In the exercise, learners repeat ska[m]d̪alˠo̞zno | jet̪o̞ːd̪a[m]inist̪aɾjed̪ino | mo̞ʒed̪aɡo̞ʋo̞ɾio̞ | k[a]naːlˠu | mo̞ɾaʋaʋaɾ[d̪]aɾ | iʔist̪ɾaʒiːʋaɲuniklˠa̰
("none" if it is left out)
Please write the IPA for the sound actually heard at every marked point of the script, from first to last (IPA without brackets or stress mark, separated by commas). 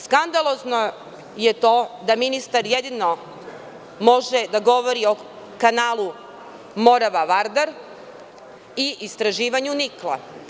n, m, a, d̪